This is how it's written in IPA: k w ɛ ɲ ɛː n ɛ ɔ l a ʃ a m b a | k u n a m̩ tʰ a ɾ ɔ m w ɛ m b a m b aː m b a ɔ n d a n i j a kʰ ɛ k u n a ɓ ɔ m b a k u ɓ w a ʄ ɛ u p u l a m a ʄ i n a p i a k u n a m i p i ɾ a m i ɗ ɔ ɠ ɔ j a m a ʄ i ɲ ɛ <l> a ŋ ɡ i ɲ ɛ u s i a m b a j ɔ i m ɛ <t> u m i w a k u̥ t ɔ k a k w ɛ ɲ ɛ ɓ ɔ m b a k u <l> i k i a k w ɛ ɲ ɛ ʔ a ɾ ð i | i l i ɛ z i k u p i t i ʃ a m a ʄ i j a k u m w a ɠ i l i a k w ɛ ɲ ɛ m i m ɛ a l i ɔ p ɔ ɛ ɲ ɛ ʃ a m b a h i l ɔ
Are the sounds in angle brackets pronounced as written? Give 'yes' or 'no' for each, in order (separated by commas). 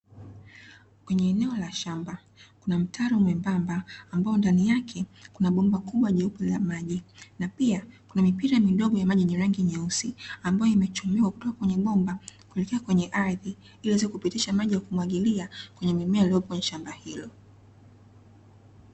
no, no, yes